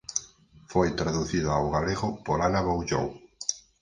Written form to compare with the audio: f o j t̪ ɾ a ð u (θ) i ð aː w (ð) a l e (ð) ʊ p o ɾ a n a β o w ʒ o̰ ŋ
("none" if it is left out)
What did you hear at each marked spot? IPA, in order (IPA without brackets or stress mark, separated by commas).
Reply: θ, ɣ, ɣ